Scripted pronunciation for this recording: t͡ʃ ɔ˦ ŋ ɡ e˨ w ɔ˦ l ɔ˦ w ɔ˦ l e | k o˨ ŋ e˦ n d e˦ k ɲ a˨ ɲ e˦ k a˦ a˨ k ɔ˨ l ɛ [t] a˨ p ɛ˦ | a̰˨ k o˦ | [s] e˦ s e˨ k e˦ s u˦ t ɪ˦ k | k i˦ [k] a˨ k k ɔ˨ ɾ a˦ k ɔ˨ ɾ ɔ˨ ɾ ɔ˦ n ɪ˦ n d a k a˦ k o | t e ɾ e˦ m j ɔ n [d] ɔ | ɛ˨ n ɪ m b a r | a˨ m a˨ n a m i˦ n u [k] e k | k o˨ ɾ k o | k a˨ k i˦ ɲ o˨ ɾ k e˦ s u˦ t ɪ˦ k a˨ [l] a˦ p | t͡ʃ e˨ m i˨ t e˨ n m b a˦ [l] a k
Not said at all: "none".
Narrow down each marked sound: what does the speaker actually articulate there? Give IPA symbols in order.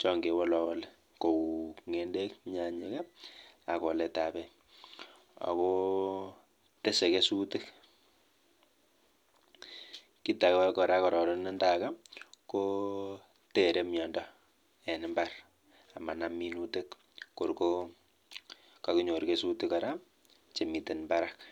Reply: t, t, t, d, t, ɾ, ɾ

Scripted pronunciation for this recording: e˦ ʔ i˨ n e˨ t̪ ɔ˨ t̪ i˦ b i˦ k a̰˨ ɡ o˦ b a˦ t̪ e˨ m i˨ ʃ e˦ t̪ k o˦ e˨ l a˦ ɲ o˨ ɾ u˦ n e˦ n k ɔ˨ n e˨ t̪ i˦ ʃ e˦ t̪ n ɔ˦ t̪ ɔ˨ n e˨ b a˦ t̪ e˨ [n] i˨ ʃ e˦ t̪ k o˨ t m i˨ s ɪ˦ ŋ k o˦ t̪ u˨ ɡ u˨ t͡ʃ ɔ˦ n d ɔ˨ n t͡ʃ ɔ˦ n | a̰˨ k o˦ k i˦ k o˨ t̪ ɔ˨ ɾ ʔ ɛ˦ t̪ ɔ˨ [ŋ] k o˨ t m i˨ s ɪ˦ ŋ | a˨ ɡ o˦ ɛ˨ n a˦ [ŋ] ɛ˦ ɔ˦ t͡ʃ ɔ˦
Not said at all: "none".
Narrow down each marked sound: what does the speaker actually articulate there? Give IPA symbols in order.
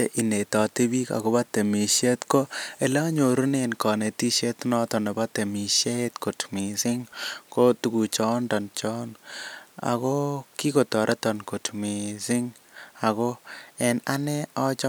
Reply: m, n, n

